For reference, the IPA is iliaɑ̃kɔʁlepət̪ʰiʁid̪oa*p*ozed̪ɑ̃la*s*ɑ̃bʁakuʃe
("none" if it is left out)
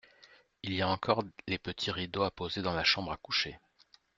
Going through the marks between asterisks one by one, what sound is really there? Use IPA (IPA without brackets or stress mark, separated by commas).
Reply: p, ʃ